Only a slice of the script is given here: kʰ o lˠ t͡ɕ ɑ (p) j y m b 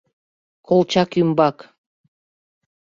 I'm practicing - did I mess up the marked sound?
yes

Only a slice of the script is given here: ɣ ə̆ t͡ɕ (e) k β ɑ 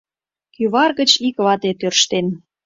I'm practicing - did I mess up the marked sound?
yes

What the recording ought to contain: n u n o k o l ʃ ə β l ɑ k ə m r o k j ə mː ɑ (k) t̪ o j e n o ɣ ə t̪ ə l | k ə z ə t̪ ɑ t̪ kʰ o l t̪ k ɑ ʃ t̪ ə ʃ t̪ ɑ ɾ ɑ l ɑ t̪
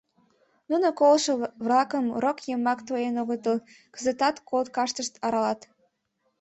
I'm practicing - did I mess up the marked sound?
no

